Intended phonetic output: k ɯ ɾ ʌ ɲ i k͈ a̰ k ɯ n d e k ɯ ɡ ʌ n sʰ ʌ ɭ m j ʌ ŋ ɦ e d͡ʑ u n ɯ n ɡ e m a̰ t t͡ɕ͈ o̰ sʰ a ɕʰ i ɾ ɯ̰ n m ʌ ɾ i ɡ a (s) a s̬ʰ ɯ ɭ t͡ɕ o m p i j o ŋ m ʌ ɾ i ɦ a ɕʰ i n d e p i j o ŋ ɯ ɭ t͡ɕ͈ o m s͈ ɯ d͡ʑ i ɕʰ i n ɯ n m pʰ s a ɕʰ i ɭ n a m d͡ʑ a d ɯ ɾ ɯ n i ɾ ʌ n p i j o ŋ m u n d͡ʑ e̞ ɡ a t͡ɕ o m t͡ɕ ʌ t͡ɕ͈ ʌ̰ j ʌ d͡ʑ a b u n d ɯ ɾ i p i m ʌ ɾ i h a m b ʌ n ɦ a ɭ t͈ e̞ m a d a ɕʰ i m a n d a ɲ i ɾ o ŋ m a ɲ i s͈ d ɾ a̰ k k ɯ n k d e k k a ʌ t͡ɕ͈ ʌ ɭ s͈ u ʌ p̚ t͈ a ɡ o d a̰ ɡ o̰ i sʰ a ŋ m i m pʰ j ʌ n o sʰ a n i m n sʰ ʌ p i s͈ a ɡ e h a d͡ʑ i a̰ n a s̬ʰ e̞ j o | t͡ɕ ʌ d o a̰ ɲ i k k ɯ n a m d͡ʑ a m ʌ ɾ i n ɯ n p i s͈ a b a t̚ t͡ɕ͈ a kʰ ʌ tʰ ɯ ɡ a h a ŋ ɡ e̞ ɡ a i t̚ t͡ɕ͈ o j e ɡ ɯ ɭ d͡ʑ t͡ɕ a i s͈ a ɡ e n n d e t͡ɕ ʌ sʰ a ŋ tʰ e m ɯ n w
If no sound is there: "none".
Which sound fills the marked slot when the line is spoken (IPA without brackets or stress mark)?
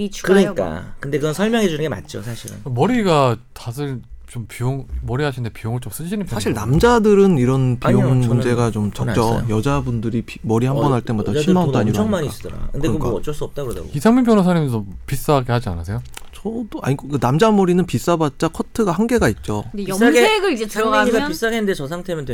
t